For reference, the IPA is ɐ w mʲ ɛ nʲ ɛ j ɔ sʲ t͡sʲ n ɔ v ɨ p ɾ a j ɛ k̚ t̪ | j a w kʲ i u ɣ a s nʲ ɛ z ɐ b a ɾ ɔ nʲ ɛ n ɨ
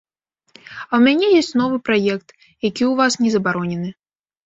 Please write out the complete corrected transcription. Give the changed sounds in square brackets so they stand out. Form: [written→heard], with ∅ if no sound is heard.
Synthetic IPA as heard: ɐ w mʲ [ɛ→a] nʲ ɛ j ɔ sʲ t͡sʲ n ɔ v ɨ p ɾ a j ɛ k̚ t̪ | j a [w→∅] kʲ i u [ɣ→v] a s nʲ ɛ z ɐ b a ɾ ɔ nʲ ɛ n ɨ